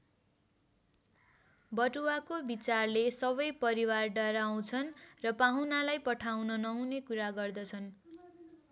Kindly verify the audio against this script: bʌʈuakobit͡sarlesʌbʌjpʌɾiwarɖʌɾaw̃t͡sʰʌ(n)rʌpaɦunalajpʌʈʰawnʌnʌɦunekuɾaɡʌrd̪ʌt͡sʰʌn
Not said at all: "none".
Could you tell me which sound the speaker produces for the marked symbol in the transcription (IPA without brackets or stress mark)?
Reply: n